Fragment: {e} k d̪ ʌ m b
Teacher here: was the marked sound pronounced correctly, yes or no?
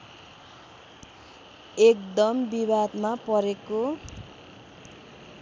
yes